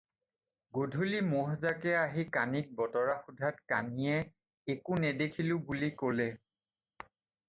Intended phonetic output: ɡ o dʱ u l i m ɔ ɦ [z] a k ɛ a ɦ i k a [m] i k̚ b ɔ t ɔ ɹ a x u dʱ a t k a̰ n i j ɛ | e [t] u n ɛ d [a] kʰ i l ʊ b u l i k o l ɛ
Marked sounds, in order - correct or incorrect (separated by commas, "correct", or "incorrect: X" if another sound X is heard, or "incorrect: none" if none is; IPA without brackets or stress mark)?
correct, incorrect: n, incorrect: k, incorrect: e